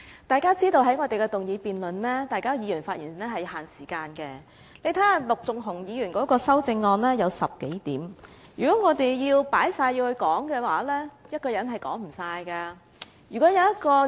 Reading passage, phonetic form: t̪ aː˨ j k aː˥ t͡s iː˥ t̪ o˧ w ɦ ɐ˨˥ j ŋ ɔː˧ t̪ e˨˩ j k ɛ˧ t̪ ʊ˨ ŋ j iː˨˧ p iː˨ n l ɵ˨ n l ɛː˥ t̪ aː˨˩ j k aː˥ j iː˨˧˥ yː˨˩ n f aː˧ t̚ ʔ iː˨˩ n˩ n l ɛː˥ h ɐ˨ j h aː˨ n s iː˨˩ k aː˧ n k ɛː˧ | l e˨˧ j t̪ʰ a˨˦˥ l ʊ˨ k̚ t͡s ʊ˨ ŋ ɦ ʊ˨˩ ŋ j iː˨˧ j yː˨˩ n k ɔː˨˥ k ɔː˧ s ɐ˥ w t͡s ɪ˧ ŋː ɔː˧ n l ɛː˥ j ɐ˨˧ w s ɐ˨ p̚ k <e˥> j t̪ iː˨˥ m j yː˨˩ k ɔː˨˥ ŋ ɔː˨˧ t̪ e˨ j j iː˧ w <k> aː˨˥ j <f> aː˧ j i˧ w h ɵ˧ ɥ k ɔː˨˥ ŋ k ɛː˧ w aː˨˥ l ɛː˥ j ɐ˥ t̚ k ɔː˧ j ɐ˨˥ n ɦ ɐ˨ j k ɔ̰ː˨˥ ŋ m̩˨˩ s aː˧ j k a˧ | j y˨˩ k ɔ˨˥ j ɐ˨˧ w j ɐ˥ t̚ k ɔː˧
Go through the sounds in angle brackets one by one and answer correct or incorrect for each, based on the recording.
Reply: incorrect, incorrect, incorrect

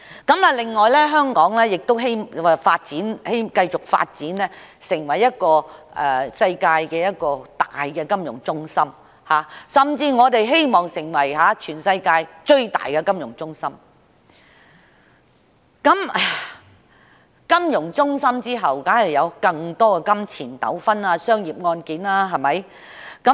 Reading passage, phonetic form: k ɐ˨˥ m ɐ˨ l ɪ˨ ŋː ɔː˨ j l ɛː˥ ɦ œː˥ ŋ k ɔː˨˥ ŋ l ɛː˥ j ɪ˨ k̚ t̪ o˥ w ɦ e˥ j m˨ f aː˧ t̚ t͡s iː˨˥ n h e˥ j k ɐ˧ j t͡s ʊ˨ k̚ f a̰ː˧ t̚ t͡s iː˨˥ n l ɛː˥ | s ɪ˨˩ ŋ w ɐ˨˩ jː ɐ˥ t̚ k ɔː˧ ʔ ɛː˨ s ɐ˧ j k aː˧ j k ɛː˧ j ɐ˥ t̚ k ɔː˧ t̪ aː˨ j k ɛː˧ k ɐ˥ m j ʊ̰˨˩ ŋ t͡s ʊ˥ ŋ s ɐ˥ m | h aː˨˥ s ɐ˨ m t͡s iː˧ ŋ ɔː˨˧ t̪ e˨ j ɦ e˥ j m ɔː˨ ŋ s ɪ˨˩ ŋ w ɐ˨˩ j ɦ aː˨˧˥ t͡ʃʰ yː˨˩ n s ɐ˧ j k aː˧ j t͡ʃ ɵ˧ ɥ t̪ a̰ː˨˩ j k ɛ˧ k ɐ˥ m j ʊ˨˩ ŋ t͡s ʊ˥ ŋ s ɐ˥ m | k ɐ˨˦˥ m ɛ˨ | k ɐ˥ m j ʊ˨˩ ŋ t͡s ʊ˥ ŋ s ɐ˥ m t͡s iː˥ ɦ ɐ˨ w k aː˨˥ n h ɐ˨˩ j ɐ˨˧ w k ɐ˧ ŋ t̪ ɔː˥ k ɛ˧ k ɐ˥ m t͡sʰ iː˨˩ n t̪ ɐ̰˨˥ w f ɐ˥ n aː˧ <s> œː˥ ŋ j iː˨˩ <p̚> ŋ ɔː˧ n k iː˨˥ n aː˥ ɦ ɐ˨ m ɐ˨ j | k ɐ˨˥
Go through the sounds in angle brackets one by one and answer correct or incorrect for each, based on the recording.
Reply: correct, correct

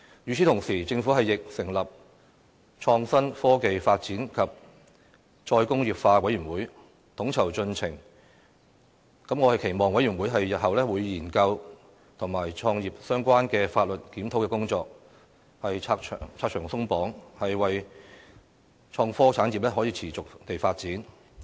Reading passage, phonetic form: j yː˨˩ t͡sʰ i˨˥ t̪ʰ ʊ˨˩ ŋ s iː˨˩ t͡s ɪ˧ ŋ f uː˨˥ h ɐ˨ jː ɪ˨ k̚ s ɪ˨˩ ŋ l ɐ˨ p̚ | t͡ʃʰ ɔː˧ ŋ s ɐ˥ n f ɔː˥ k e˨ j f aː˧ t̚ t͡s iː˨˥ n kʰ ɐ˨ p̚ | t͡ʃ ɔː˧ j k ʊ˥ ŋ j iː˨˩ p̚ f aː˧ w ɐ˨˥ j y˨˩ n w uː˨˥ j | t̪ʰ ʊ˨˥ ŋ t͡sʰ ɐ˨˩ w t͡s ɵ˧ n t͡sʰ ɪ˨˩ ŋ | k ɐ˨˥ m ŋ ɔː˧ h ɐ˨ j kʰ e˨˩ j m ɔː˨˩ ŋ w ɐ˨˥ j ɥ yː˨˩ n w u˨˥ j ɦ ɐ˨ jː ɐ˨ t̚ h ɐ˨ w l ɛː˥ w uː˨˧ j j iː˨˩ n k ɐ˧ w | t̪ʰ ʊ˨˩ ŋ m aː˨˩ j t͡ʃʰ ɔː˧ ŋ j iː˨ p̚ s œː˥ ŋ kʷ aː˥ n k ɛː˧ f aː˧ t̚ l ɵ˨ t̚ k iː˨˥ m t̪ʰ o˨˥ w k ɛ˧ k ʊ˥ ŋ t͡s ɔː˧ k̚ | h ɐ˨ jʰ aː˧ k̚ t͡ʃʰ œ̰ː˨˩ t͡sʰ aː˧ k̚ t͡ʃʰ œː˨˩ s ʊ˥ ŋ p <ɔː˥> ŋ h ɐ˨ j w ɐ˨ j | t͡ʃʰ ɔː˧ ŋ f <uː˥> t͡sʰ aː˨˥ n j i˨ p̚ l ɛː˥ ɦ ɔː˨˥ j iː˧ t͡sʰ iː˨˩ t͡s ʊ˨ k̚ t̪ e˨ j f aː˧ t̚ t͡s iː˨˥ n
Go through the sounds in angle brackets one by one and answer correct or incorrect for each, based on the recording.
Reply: incorrect, incorrect

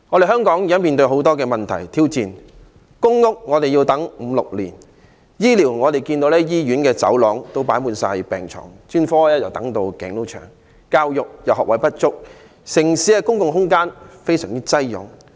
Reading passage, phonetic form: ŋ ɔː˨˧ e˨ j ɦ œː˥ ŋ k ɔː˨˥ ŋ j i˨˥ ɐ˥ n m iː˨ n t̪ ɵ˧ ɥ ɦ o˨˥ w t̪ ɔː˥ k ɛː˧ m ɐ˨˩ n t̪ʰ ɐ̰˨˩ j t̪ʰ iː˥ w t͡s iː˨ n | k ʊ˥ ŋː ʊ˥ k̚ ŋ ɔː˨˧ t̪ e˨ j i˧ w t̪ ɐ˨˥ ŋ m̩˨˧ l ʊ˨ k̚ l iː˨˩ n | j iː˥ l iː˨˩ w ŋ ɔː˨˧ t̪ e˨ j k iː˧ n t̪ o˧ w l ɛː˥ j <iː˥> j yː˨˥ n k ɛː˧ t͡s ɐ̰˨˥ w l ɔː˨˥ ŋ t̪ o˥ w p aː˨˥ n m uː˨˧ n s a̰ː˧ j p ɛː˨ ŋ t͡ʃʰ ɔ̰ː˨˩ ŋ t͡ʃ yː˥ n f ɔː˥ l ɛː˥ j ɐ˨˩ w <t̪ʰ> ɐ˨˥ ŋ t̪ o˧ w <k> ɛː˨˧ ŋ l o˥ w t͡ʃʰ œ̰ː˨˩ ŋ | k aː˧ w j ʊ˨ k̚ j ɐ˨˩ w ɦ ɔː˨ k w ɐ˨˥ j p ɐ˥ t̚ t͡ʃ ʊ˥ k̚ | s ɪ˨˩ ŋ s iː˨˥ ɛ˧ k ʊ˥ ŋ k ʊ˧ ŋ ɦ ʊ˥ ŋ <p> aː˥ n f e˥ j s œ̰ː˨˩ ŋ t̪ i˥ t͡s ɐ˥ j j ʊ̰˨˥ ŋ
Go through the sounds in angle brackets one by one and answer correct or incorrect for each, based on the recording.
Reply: correct, incorrect, correct, incorrect

